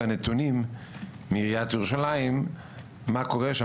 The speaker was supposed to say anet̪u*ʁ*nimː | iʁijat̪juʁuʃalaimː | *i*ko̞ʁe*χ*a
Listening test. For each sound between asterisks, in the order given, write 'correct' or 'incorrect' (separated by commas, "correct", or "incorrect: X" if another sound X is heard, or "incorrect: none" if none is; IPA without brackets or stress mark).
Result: incorrect: none, incorrect: a, incorrect: ʃ